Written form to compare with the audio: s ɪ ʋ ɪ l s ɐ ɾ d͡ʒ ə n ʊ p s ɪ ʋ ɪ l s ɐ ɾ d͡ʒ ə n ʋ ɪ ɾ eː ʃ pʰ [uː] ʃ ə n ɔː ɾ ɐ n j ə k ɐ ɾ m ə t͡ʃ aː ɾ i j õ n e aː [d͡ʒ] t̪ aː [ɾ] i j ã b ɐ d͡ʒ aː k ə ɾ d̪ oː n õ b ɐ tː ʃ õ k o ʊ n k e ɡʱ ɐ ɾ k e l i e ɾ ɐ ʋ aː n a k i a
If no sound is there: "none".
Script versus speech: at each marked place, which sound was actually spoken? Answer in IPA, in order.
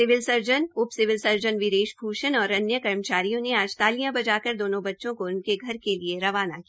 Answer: uː, d͡ʒ, l

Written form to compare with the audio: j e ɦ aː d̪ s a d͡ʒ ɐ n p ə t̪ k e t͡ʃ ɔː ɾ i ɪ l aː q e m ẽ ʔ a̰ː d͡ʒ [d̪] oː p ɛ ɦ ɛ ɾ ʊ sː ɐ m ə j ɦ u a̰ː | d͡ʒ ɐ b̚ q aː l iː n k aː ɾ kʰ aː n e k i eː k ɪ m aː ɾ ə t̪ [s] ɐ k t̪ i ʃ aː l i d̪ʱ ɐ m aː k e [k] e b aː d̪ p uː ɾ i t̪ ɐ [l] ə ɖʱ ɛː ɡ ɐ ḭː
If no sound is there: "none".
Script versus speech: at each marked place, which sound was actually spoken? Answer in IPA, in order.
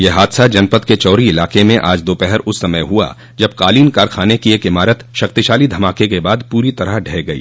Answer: d̪, ʃ, k, ɾ

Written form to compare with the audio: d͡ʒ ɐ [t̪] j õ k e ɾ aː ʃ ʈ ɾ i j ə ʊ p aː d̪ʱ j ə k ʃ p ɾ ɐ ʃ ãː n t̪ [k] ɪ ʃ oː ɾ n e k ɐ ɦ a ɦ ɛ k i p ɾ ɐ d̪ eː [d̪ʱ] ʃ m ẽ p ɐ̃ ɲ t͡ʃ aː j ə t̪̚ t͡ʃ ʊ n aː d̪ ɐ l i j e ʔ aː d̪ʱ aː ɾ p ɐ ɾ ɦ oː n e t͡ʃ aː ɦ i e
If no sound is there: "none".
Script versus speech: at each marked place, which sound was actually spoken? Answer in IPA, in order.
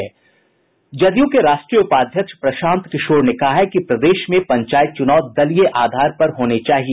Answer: d̪, k, none

